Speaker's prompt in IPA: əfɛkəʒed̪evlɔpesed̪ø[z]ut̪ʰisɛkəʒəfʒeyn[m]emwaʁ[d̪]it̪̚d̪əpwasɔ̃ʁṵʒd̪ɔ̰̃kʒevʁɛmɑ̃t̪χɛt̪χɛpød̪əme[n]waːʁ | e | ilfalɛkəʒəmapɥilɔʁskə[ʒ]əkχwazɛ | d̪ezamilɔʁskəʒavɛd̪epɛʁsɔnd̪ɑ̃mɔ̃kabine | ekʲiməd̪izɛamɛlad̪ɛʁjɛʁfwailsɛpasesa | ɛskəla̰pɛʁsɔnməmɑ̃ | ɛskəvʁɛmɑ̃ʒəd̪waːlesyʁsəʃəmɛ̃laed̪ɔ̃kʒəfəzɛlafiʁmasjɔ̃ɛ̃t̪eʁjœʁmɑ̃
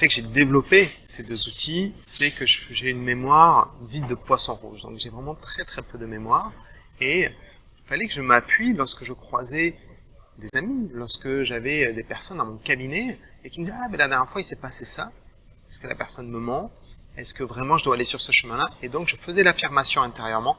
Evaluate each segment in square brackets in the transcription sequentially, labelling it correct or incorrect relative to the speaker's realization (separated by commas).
correct, correct, correct, incorrect, correct